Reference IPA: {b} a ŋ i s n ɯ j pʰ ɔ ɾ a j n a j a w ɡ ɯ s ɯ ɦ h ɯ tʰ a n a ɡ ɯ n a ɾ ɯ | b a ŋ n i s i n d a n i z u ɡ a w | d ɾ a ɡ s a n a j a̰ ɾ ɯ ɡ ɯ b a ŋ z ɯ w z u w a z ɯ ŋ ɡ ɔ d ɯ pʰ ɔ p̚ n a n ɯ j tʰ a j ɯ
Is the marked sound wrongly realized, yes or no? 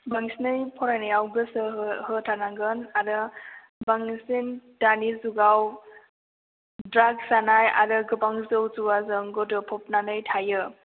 no